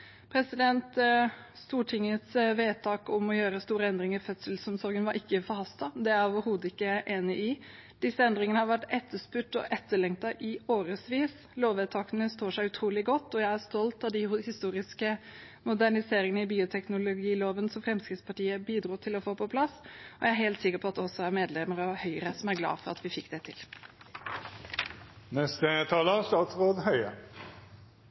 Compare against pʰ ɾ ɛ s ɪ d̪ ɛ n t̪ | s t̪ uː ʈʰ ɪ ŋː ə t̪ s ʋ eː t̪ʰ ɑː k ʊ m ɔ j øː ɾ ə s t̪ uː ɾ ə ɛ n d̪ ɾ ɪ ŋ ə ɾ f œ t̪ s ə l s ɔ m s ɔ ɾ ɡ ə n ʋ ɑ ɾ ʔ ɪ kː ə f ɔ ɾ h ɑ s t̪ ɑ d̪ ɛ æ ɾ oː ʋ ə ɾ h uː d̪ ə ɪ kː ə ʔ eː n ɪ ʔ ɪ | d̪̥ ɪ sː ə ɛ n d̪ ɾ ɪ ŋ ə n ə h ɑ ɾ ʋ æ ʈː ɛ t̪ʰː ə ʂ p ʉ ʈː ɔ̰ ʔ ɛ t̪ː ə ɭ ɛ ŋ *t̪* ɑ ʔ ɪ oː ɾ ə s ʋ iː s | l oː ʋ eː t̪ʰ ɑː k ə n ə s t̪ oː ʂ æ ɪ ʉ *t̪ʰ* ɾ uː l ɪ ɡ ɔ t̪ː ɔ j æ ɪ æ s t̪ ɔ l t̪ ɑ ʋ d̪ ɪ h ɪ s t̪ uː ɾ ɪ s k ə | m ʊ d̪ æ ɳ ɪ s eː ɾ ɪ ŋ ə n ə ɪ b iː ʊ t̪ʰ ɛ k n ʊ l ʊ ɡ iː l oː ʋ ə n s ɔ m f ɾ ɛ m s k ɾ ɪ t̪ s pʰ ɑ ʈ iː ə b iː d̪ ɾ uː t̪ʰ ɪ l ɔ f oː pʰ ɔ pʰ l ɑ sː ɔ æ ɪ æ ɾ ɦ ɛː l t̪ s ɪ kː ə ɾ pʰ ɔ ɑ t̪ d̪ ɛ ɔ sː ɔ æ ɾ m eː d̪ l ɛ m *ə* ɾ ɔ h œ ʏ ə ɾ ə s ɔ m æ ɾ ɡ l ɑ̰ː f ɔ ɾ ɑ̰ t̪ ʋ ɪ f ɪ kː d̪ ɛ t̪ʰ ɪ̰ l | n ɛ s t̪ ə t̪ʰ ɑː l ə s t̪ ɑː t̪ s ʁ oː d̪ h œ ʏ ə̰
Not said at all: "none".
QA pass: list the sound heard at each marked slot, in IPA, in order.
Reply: t̪, t̪ʰ, ə

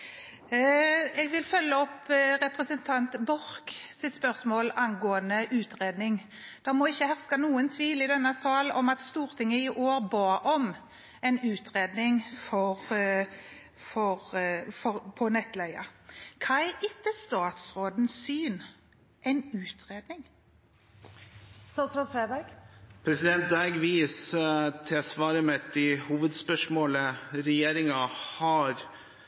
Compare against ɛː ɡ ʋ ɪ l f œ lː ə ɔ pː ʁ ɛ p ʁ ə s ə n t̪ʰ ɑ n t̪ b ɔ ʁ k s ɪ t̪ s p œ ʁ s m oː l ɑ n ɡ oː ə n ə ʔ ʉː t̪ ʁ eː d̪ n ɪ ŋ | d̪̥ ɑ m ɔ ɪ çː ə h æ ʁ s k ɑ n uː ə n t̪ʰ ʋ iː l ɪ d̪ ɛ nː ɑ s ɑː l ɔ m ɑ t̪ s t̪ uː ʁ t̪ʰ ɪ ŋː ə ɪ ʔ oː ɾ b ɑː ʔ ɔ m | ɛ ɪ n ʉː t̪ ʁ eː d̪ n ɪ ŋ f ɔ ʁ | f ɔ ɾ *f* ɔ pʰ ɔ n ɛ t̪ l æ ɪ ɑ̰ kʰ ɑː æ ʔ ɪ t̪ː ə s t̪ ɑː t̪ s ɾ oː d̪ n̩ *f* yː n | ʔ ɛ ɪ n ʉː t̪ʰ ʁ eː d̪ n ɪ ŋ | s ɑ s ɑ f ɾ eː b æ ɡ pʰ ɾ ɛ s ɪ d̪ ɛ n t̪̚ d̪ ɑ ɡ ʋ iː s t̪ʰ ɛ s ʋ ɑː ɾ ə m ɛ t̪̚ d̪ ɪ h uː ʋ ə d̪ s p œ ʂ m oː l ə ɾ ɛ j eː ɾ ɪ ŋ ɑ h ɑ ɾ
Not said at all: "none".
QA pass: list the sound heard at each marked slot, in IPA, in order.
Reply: f, s

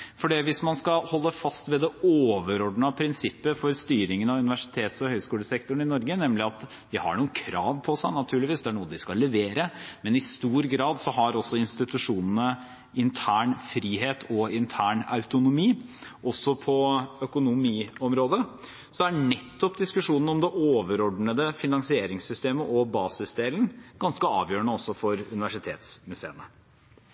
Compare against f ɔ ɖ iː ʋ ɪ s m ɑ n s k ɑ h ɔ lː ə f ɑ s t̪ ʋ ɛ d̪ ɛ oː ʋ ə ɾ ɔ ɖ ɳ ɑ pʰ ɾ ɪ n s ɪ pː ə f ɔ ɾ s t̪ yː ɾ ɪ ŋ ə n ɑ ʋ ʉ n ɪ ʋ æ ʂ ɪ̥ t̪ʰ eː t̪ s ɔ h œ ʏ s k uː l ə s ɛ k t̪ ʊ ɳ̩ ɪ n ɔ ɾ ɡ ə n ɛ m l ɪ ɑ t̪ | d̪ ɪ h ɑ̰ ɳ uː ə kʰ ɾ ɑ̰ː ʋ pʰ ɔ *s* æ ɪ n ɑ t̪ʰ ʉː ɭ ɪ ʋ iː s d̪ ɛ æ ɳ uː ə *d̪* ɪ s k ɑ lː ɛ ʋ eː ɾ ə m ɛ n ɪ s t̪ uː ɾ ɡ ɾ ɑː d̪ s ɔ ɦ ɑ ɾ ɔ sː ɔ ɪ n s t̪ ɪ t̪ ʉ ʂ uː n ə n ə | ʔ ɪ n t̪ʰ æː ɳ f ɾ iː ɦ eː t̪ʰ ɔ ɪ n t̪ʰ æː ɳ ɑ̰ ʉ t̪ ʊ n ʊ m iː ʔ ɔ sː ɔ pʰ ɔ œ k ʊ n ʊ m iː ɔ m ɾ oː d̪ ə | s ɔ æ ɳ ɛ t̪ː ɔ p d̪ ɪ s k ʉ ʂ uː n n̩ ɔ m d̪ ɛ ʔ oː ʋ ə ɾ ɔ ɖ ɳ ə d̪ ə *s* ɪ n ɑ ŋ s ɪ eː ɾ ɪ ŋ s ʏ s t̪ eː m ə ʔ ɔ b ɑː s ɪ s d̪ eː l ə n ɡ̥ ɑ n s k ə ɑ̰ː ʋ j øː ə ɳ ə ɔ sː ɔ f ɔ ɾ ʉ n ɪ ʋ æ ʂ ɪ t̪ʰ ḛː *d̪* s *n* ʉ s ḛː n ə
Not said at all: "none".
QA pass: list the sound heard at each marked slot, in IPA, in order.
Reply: s, d̪, f, t̪, m

